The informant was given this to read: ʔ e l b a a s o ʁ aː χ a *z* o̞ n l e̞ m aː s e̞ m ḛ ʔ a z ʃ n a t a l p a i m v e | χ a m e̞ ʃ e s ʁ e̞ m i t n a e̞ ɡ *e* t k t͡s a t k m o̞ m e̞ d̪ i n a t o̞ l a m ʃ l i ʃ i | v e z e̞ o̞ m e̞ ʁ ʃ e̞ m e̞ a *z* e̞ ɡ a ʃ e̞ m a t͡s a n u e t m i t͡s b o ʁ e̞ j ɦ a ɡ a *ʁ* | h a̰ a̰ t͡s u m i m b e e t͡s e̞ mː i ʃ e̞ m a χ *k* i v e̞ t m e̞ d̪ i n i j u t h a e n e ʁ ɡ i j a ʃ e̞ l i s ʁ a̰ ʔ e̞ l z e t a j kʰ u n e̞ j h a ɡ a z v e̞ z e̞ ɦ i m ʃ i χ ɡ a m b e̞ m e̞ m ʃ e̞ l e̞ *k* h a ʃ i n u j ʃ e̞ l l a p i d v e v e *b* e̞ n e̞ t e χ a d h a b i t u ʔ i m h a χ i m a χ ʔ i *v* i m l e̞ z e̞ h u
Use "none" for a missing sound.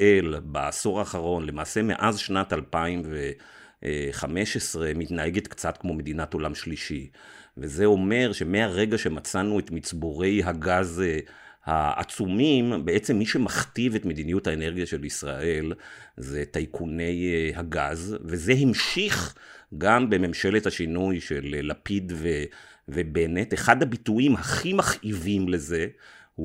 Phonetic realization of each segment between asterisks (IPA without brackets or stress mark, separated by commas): ʁ, e, ʁ, z, t, t, b, v